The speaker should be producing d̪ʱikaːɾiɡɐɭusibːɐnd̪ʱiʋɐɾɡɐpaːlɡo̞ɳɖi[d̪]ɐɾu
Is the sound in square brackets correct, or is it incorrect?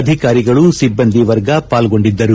incorrect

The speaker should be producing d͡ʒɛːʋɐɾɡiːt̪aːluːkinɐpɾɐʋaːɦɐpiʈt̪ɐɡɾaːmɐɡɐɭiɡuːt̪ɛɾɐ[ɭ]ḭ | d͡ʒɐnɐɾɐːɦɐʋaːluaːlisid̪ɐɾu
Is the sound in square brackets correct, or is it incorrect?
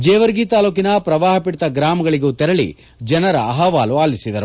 correct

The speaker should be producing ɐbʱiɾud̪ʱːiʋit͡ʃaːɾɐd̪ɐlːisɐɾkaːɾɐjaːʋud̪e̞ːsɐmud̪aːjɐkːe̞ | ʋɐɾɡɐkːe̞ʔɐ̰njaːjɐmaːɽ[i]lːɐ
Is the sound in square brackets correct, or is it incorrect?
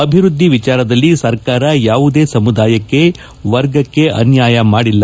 correct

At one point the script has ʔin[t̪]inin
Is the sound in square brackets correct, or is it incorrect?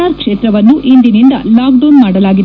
incorrect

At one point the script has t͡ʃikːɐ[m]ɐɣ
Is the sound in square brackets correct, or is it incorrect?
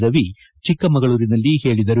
correct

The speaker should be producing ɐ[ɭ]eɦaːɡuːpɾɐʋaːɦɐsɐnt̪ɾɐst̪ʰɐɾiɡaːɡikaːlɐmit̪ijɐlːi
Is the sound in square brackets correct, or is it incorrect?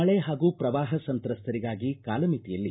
correct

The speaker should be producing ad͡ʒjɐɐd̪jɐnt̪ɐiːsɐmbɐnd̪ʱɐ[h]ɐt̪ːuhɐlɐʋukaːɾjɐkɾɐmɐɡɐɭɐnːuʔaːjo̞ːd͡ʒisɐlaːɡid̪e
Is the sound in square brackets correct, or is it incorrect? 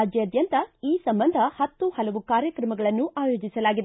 correct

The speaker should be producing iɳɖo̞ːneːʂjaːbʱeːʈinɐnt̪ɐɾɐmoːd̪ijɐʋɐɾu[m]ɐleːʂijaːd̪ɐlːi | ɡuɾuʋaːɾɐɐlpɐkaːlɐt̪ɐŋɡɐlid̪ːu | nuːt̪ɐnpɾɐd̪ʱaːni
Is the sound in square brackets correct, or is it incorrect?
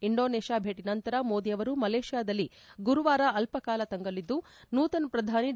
correct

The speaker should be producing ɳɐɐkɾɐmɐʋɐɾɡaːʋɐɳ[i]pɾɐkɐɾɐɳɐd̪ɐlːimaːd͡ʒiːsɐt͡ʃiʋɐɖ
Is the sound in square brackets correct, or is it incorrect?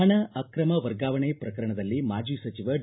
incorrect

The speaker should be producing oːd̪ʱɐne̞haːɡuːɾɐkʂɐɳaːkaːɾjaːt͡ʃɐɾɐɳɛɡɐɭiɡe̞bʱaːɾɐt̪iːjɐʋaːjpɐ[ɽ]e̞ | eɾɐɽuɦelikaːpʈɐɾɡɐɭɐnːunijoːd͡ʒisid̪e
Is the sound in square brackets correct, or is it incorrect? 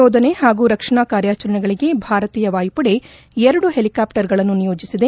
correct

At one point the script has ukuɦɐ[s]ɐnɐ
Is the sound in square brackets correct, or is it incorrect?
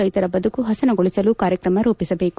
correct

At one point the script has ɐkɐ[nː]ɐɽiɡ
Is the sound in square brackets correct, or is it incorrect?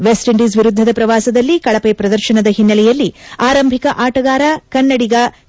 correct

